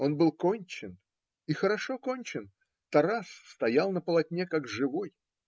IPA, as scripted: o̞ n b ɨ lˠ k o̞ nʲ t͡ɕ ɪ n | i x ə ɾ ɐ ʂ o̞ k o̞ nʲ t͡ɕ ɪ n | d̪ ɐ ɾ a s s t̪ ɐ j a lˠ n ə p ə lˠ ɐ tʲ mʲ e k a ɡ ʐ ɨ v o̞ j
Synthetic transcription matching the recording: o̞ n b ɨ lˠ k o̞ nʲ t͡ɕ ɪ n | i x ə ɾ ɐ ʂ o̞ k o̞ nʲ t͡ɕ ɪ n | t̪ ɐ ɾ a s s t̪ ɐ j a lˠ n ə p ə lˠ ɐ tʲ nʲ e k a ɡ ʐ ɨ v o̞ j